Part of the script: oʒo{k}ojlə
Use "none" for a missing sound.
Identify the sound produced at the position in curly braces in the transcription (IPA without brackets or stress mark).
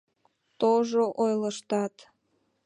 ʔ